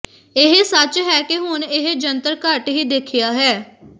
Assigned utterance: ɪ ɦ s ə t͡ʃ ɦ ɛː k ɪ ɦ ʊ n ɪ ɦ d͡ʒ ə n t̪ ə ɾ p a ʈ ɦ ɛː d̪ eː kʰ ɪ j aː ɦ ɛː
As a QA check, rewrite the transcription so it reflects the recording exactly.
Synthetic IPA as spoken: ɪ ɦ s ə t͡ʃ ɦ ɛː k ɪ ɦ ʊ n ɪ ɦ d͡ʒ ə n t̪ ə ɾ k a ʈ ɦ iː d̪ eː kʰ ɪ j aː ɦ ɛː